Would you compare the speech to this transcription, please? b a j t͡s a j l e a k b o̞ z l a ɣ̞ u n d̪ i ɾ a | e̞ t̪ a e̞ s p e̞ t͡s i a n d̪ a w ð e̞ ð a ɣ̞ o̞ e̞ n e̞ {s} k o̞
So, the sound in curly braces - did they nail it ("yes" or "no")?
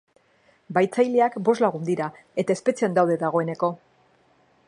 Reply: no